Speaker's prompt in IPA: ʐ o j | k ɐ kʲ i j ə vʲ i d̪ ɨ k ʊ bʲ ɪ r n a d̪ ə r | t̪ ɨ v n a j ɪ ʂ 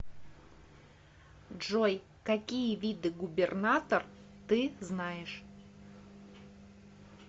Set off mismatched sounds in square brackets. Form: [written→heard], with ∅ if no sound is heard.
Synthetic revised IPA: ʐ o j | k ɐ kʲ i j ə vʲ i d̪ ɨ [k→ɡ] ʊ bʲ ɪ r n a [d̪→t̪] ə r | t̪ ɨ [v→z] n a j ɪ ʂ